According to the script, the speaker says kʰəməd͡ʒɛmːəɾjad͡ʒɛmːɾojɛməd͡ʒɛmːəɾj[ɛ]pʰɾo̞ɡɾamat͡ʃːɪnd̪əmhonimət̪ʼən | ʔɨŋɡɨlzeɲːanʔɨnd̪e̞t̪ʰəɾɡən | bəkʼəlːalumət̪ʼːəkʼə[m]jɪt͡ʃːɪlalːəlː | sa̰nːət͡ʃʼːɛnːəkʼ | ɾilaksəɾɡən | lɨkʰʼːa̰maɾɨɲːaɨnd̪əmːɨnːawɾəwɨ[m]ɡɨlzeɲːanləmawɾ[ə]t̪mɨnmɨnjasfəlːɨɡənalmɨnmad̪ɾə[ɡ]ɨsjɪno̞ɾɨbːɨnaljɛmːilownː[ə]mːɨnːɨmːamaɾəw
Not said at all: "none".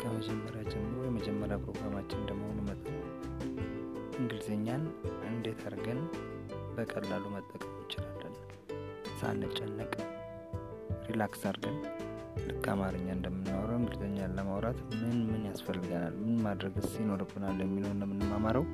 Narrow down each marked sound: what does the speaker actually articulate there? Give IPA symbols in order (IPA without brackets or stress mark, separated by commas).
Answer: a, m, ŋ, a, ɡ, ə